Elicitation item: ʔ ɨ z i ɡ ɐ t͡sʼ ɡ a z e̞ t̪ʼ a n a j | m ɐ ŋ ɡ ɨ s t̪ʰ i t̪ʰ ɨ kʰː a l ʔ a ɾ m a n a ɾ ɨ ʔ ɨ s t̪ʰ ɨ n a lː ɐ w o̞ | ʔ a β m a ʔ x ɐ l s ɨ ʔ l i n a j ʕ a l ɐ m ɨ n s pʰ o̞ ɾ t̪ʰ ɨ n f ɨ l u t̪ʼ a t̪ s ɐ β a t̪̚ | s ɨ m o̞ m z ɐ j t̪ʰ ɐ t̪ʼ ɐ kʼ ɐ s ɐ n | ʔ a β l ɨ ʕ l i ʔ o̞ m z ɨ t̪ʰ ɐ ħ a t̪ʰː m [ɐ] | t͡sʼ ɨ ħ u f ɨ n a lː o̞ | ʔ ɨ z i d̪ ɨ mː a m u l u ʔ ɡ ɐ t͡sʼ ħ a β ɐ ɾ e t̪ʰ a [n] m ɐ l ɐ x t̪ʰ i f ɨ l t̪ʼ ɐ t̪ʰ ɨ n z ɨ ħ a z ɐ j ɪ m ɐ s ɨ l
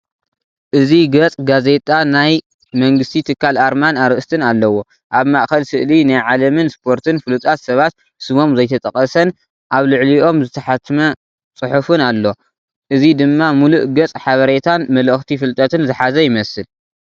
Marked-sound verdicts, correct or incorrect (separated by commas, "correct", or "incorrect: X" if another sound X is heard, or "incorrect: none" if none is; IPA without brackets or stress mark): correct, correct